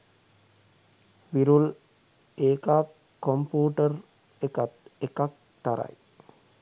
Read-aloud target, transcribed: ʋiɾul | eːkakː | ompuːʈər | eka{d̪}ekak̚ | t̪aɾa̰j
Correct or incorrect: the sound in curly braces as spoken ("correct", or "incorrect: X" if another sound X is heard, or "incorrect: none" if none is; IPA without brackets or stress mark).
incorrect: t̪